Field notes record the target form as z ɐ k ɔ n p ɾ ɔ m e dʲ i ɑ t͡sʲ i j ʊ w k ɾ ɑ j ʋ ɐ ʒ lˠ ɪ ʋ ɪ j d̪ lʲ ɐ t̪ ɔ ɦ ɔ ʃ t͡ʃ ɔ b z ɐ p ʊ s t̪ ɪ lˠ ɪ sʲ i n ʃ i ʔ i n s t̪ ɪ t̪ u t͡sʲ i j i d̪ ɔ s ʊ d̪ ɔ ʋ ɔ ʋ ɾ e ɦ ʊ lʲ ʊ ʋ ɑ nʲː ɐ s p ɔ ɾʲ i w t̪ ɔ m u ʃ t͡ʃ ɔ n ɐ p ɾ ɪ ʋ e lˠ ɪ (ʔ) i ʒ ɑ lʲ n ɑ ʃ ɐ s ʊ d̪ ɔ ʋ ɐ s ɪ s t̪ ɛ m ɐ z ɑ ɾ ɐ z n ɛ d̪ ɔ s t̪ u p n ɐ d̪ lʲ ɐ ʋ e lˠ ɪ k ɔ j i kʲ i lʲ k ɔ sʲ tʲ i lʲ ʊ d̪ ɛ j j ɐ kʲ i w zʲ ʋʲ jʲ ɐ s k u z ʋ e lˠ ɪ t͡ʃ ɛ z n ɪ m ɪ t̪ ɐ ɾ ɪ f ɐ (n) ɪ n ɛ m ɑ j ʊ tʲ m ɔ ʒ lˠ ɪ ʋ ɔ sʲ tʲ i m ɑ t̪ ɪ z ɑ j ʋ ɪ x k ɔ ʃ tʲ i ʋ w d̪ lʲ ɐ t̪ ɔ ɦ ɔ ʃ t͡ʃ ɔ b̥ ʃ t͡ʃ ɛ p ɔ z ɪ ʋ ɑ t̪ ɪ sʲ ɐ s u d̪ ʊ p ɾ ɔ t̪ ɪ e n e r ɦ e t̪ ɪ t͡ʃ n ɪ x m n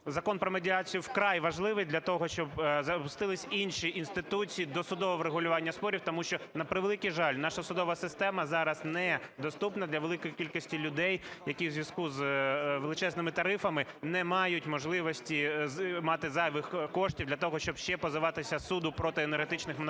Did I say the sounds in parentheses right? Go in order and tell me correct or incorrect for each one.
incorrect: k, incorrect: m

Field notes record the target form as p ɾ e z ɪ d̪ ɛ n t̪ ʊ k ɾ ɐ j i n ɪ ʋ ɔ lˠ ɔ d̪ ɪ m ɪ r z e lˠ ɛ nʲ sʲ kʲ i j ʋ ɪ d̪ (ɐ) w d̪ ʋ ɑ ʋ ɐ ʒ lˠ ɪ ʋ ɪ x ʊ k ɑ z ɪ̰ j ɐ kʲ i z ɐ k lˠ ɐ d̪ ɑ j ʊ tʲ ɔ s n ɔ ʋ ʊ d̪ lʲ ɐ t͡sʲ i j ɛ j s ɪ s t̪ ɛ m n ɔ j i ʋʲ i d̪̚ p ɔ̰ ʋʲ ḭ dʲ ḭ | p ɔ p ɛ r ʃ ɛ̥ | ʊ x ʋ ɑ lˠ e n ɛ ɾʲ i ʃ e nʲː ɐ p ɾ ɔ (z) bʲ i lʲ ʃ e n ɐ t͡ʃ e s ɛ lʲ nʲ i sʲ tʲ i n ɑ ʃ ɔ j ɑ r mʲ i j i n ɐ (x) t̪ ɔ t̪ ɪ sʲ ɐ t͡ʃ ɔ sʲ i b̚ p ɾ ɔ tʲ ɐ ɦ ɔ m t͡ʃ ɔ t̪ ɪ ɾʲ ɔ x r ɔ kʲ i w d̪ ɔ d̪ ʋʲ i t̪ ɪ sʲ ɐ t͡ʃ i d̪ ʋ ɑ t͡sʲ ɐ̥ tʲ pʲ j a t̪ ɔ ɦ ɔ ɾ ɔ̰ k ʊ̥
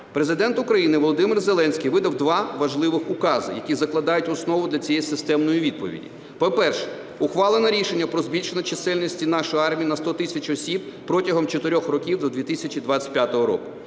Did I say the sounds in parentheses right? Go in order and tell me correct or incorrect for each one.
correct, correct, incorrect: s

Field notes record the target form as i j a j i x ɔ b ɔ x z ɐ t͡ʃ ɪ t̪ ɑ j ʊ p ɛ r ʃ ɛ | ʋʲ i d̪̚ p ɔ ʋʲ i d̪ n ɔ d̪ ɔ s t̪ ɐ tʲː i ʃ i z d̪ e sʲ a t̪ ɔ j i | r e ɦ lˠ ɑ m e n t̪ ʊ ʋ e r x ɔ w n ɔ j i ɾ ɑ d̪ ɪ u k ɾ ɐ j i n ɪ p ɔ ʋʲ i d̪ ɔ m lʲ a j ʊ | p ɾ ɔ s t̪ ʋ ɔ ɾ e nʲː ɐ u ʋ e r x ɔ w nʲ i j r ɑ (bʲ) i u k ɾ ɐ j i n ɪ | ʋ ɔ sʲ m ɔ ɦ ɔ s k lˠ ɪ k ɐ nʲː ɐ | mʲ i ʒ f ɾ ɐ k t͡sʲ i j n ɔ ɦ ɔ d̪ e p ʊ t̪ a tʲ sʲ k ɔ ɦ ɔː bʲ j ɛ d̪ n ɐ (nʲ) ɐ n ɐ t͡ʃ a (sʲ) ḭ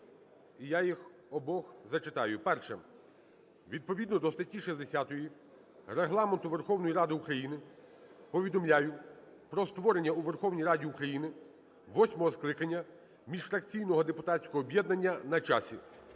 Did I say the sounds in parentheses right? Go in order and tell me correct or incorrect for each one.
incorrect: dʲ, incorrect: nʲː, correct

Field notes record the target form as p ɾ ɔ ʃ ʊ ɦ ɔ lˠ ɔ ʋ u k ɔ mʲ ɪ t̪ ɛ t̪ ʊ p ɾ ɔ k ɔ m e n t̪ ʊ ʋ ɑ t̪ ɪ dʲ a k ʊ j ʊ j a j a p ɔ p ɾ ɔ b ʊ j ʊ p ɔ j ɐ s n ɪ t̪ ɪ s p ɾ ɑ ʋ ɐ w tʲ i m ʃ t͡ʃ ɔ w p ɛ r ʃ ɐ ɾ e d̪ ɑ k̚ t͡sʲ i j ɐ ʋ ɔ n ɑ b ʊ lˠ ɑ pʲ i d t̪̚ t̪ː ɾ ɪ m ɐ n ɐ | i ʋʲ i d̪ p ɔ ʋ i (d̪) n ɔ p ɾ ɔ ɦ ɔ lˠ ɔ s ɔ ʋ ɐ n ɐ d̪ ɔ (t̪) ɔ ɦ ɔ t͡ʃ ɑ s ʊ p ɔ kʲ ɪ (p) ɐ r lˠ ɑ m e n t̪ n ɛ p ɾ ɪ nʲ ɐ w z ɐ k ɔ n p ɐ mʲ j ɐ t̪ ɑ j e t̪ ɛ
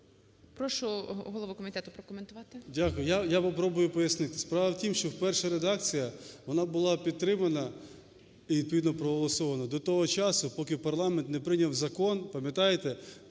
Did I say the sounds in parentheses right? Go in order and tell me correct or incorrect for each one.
correct, correct, correct

